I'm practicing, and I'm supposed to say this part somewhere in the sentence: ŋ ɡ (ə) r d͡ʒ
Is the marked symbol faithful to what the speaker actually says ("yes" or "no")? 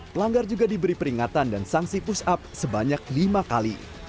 no